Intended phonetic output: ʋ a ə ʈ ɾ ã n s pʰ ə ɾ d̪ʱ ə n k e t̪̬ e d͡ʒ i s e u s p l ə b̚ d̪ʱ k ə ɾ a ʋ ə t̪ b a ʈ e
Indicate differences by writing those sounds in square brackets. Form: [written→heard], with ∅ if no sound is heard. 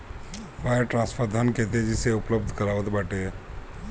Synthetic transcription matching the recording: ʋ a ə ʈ ɾ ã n s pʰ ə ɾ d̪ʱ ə n k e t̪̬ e d͡ʒ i s e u [s→∅] p l ə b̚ d̪ʱ k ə ɾ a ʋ ə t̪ b a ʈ e